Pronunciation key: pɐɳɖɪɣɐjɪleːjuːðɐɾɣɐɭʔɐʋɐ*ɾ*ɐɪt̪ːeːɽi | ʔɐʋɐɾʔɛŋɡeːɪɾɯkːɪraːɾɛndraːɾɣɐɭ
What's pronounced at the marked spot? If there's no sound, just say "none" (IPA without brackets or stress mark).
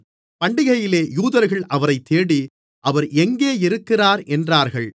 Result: ɾ